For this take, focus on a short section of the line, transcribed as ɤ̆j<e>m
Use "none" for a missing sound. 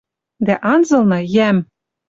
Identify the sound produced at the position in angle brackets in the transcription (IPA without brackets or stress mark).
æ